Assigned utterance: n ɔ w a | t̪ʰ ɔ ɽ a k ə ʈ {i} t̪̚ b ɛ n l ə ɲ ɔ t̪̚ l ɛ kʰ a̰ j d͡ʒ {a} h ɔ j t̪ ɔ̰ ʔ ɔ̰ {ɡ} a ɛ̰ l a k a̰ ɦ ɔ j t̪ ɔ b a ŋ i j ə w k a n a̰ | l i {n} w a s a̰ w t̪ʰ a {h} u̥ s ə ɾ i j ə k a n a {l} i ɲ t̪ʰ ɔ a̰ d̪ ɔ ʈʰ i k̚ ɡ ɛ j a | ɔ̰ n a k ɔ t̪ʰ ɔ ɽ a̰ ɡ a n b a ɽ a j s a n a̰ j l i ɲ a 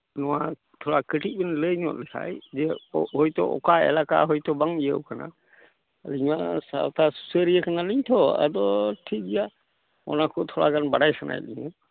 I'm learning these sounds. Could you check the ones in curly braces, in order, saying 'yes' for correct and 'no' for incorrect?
yes, no, no, no, no, yes

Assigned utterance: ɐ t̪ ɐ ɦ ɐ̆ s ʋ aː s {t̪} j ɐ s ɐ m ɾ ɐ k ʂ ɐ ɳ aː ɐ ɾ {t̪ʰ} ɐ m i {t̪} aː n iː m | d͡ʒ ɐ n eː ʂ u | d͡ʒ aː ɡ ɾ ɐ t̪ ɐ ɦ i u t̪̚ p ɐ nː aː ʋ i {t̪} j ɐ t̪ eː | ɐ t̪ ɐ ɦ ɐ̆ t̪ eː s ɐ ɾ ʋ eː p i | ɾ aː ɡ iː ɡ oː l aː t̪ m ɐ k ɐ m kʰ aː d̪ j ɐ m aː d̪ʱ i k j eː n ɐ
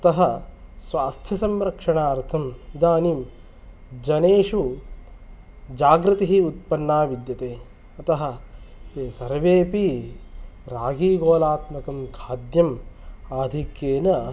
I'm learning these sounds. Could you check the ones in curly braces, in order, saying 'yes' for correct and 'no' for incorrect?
no, yes, no, no

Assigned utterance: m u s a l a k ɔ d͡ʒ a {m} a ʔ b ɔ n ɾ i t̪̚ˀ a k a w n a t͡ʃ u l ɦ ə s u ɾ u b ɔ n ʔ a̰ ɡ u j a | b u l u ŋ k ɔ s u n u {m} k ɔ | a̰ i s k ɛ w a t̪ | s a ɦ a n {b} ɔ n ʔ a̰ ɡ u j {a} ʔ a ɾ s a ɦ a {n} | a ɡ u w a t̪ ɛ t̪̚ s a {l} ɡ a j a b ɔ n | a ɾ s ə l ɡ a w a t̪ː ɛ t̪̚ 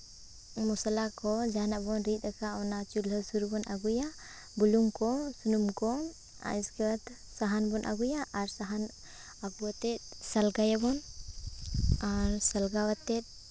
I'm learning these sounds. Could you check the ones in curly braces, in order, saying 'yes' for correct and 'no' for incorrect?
no, yes, yes, yes, yes, yes

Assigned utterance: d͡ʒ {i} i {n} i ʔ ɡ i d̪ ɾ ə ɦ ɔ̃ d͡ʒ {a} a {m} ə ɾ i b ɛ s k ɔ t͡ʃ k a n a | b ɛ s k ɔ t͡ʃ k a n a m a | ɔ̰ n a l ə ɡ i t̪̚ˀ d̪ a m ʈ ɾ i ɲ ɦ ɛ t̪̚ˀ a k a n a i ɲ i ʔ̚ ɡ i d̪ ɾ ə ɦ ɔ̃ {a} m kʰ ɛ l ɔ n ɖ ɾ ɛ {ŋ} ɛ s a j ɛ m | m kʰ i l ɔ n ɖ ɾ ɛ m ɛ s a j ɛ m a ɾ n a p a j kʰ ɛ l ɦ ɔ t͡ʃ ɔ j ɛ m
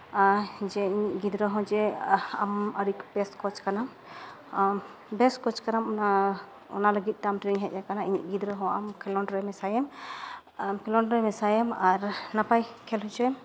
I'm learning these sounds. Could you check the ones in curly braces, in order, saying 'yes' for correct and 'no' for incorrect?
no, no, no, yes, yes, no

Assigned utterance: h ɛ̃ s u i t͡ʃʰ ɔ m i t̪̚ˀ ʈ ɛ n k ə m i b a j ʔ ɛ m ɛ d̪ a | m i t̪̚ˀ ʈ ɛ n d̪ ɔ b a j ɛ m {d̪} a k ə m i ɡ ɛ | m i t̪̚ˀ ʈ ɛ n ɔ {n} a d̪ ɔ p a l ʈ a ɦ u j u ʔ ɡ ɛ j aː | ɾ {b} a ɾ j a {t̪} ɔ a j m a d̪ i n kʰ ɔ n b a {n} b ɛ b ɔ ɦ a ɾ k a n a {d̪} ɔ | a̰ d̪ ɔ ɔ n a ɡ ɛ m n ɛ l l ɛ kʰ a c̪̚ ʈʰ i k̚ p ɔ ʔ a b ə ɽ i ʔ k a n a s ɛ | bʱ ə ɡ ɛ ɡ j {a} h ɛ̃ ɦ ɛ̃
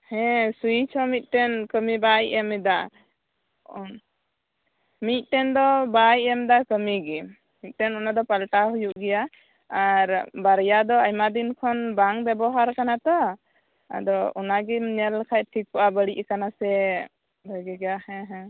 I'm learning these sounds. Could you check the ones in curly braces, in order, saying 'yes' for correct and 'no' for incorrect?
yes, yes, yes, no, no, no, yes

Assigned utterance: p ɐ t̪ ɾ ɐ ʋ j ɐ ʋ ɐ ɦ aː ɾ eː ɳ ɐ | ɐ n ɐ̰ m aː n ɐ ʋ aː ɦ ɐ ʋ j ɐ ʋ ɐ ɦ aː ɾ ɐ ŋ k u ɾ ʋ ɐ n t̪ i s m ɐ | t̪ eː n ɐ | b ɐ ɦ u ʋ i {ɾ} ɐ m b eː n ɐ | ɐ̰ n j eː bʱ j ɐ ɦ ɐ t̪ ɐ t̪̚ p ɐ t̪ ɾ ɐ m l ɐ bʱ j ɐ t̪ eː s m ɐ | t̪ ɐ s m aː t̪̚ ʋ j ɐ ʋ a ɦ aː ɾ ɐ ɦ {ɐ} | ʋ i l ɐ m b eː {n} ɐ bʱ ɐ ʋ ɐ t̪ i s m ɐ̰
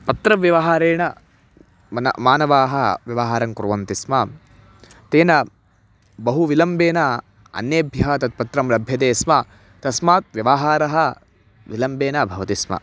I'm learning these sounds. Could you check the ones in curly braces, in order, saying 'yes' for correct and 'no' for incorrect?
no, yes, yes

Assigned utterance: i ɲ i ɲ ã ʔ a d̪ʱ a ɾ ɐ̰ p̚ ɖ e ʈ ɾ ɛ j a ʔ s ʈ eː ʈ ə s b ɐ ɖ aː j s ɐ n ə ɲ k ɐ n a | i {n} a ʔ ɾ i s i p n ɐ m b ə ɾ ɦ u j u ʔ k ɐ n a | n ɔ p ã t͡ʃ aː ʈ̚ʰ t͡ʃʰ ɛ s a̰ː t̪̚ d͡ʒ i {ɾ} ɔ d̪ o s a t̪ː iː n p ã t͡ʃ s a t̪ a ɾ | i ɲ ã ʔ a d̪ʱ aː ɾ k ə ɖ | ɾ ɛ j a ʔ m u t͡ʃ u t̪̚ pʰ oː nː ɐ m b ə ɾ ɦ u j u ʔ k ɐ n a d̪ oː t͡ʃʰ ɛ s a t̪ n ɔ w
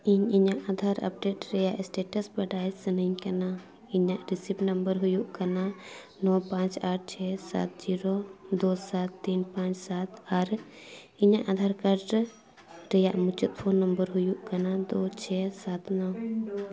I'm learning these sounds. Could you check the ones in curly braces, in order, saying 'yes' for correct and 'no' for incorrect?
no, yes

